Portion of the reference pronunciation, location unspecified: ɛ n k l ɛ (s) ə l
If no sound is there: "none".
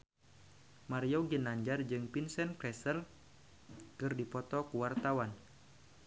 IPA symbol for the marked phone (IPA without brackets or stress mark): s